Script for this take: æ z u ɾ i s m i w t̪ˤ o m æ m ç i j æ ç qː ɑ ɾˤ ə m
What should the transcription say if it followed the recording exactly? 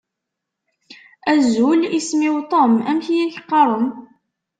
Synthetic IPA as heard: æ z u l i s m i w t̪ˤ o m æ m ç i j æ ç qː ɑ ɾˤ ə m